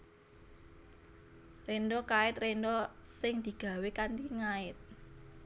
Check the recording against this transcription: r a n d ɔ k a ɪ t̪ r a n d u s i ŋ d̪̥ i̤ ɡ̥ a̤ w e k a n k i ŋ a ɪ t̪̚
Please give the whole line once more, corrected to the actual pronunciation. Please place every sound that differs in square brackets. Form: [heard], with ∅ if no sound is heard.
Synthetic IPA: r [e] n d ɔ k a ɪ t̪ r [e] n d [ɔ] s [ɪ] ŋ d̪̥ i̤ ɡ̥ a̤ w e k a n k i ŋ a ɪ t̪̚